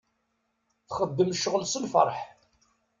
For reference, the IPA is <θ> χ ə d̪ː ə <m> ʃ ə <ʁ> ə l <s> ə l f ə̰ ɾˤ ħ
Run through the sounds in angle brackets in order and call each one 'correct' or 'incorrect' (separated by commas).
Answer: correct, correct, correct, correct